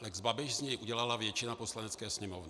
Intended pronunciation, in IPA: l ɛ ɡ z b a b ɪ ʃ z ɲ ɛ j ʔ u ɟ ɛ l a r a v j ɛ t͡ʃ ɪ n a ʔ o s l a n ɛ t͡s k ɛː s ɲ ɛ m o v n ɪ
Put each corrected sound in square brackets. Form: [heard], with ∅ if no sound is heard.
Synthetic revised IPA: l ɛ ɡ z b a b ɪ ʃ z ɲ ɛ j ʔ u ɟ ɛ l a [l] a v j ɛ t͡ʃ ɪ n a [p] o s l a n ɛ t͡s k ɛː s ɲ ɛ m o v n ɪ